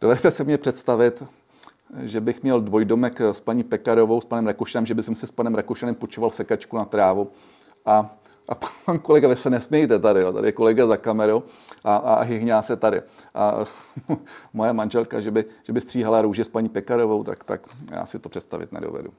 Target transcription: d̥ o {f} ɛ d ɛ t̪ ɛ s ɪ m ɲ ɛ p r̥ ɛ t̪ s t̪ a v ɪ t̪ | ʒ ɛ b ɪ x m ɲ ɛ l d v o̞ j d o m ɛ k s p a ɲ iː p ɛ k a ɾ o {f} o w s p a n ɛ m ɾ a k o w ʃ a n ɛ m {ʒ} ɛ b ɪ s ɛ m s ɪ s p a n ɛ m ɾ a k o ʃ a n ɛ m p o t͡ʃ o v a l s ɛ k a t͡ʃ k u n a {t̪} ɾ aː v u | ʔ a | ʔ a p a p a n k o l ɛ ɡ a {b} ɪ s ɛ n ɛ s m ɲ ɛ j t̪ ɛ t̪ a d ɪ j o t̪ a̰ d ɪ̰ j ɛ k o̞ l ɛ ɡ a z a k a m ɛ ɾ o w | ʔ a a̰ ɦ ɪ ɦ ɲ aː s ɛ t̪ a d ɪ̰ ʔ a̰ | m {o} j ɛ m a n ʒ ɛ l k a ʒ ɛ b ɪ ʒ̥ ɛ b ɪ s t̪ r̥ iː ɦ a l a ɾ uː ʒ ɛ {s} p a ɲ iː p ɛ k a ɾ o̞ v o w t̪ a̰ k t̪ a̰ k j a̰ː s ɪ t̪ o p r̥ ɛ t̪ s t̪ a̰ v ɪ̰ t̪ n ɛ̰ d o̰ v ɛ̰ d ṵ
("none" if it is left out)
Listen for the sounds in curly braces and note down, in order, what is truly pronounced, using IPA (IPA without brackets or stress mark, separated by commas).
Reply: v, v, ʒ, t̪, v, o, s